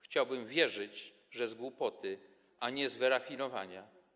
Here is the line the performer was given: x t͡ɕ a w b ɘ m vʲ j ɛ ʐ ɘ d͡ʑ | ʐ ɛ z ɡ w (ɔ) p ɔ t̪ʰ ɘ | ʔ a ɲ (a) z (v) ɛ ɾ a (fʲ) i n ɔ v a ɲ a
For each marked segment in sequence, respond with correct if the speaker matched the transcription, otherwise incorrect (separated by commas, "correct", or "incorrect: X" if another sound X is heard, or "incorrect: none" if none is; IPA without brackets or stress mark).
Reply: incorrect: u, incorrect: ɛ, correct, correct